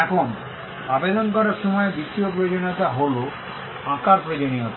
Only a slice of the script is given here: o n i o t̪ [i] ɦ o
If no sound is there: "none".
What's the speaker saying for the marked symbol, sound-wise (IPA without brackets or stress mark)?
a